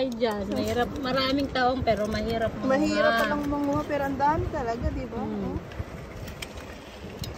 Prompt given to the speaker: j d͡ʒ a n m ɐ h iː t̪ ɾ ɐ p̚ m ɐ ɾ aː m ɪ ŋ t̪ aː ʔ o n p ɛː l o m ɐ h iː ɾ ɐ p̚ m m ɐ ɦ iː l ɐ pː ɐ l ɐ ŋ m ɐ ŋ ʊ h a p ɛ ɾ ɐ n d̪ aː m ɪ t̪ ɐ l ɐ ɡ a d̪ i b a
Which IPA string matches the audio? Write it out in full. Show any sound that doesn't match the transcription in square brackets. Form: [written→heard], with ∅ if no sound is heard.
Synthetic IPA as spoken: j d͡ʒ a n m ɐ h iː [t̪→∅] ɾ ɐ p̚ m ɐ ɾ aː m ɪ ŋ t̪ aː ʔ o [n→ŋ] p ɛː [l→ɾ] o m ɐ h iː ɾ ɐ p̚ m m ɐ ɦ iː [l→ɾ] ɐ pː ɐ l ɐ ŋ m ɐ ŋ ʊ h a p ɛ ɾ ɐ n d̪ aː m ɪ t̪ ɐ l ɐ ɡ a d̪ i b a